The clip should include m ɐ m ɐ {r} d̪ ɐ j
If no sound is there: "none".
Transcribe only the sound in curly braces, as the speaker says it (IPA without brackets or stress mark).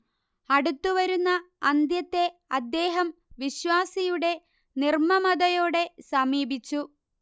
none